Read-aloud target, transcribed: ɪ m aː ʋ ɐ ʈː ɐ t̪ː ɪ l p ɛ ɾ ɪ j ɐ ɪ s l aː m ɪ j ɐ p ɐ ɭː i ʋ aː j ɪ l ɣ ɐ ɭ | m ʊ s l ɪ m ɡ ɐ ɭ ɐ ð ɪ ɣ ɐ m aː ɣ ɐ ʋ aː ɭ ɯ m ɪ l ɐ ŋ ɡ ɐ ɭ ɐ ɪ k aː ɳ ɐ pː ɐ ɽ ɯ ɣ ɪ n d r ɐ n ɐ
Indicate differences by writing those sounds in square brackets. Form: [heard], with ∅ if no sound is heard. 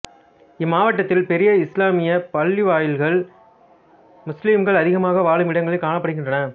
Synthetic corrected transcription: ɪ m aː ʋ ɐ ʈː ɐ t̪ː ɪ l p ɛ ɾ ɪ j ɐ ɪ s l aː m ɪ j ɐ p ɐ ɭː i ʋ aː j ɪ l ɣ ɐ ɭ | m ʊ s l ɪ m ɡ ɐ ɭ ɐ ð ɪ ɣ ɐ m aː ɣ ɐ ʋ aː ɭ ɯ m ɪ [ɽ] ɐ ŋ ɡ ɐ ɭ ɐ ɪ k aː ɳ ɐ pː ɐ ɽ ɯ ɣ ɪ n d r ɐ n ɐ

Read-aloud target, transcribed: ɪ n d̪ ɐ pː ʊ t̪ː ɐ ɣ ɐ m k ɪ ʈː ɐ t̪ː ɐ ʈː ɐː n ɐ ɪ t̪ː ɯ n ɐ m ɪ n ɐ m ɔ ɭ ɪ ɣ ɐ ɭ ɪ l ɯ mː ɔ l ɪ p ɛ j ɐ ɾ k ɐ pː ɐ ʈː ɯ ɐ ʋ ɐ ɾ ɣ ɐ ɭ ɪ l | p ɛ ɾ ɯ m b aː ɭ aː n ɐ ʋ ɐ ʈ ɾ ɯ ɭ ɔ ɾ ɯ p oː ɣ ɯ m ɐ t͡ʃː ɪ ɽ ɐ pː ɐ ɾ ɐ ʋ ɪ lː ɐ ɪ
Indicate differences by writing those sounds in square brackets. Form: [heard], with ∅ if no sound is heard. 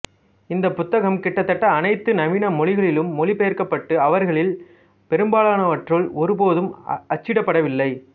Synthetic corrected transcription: ɪ n d̪ ɐ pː ʊ t̪ː ɐ ɣ ɐ m k ɪ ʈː ɐ t̪ː ɐ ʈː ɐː n ɐ ɪ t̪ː ɯ n ɐ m ɪ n ɐ m ɔ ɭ ɪ ɣ ɐ ɭ ɪ l ɯ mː ɔ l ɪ p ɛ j ɐ ɾ k ɐ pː ɐ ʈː ɯ ɐ ʋ ɐ ɾ ɣ ɐ ɭ ɪ l | p ɛ ɾ ɯ m b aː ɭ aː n ɐ ʋ ɐ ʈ [r] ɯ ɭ ɔ ɾ ɯ p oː [ð] ɯ m ɐ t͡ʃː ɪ ɽ ɐ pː ɐ [ɽ] ɐ ʋ ɪ lː ɐ ɪ

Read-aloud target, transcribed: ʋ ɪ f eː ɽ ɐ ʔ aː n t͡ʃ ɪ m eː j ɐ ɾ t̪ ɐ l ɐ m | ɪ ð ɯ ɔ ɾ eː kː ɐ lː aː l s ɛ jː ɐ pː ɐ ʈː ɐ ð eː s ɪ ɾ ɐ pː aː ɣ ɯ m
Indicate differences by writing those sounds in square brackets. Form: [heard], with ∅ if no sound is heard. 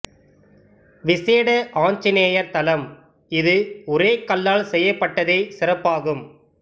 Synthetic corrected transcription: ʋ ɪ [s] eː ɽ ɐ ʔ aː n t͡ʃ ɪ [n] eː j ɐ ɾ t̪ ɐ l ɐ m | ɪ ð ɯ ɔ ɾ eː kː ɐ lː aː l s ɛ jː ɐ pː ɐ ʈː ɐ ð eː s ɪ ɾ ɐ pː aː ɣ ɯ m

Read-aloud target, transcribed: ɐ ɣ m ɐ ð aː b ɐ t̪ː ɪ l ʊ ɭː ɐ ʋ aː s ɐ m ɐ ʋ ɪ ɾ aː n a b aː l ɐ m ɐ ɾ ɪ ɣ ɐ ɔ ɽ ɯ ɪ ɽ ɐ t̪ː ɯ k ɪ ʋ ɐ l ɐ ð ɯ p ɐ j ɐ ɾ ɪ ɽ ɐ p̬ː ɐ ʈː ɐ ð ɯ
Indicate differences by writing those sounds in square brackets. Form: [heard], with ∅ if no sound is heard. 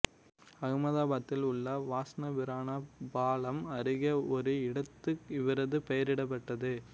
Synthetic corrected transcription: ɐ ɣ m ɐ ð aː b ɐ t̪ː ɪ l ʊ ɭː ɐ ʋ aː s ɐ [n] ɐ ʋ ɪ ɾ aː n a b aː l ɐ m ɐ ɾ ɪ ɣ ɐ ɔ [ɾ] ɯ ɪ ɽ ɐ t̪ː ɯ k ɪ ʋ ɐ [ɾ] ɐ ð ɯ p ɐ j ɐ ɾ ɪ ɽ ɐ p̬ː ɐ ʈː ɐ ð ɯ

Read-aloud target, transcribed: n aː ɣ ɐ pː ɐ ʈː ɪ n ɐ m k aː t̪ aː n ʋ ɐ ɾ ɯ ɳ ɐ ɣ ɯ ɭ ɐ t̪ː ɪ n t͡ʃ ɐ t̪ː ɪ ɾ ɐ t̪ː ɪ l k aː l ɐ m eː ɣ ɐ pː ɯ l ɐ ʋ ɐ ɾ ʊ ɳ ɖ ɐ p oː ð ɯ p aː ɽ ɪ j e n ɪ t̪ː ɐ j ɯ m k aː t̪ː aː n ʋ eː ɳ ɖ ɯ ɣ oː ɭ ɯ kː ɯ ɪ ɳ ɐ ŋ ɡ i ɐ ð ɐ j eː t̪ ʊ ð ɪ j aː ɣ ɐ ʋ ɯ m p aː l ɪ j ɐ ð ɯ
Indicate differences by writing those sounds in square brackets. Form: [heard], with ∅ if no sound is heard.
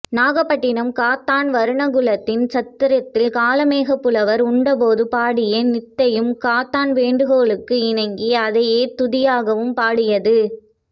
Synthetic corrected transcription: n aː ɣ ɐ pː ɐ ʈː ɪ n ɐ m k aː t̪ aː n ʋ ɐ ɾ ɯ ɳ ɐ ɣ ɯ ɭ ɐ t̪ː ɪ n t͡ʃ ɐ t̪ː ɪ ɾ ɐ t̪ː ɪ l k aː l ɐ m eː ɣ ɐ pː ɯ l ɐ ʋ ɐ ɾ ʊ ɳ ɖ ɐ p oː ð ɯ p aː ɽ ɪ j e n ɪ t̪ː ɐ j ɯ m k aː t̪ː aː n ʋ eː ɳ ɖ ɯ ɣ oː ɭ ɯ kː ɯ ɪ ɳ ɐ ŋ ɡ i ɐ ð ɐ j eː t̪ ʊ ð ɪ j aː ɣ ɐ ʋ ɯ m p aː [ɽ] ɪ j ɐ ð ɯ

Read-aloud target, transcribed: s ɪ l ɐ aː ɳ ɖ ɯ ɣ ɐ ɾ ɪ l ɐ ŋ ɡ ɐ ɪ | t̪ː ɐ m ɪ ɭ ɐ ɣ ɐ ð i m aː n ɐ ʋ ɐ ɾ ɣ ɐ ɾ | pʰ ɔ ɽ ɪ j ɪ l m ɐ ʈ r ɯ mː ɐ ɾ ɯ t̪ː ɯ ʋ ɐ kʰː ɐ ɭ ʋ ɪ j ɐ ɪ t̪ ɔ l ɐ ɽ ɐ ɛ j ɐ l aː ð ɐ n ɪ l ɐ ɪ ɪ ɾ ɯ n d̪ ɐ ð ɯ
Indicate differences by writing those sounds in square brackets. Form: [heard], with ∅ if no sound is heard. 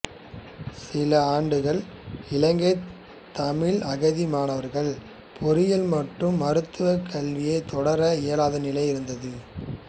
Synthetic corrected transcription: s ɪ l ɐ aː ɳ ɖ ɯ ɣ ɐ [ɭ] ɪ l ɐ ŋ ɡ ɐ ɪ | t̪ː ɐ m ɪ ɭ ɐ ɣ ɐ ð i m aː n ɐ ʋ ɐ ɾ ɣ ɐ [ɭ] | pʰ ɔ [ɾ] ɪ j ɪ l m ɐ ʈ r ɯ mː ɐ ɾ ɯ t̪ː ɯ ʋ ɐ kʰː ɐ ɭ ʋ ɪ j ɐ ɪ t̪ ɔ [ɽ] ɐ [ɾ] ɐ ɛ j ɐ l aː ð ɐ n ɪ l ɐ ɪ ɪ ɾ ɯ n d̪ ɐ ð ɯ

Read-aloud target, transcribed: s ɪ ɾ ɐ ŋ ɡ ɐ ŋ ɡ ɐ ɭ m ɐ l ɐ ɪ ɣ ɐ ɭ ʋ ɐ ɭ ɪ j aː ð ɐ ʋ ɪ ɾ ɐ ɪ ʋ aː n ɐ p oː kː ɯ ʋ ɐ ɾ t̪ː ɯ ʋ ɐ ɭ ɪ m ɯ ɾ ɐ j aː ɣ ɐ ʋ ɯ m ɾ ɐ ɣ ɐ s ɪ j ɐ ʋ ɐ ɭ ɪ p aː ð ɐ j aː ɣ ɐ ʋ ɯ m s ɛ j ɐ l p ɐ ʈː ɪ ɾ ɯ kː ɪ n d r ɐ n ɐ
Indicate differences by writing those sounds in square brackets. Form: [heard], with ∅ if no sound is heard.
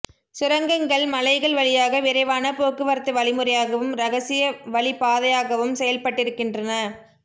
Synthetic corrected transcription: s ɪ ɾ ɐ ŋ ɡ ɐ ŋ ɡ ɐ ɭ m ɐ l ɐ ɪ ɣ ɐ ɭ ʋ ɐ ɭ ɪ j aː [ɣ] ɐ ʋ ɪ ɾ ɐ ɪ ʋ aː n ɐ p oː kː ɯ ʋ ɐ ɾ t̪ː ɯ ʋ ɐ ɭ ɪ m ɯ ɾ ɐ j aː ɣ ɐ ʋ ɯ m ɾ ɐ ɣ ɐ s ɪ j ɐ ʋ ɐ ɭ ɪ p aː ð ɐ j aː ɣ ɐ ʋ ɯ m s ɛ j ɐ l p ɐ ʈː ɪ ɾ ɯ kː ɪ n d r ɐ n ɐ

